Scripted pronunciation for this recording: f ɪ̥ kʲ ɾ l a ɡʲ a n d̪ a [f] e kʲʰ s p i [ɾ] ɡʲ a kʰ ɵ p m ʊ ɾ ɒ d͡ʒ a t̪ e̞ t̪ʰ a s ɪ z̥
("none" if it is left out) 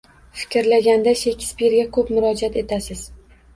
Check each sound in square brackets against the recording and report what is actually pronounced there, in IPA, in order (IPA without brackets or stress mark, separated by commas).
ʃ, ɾ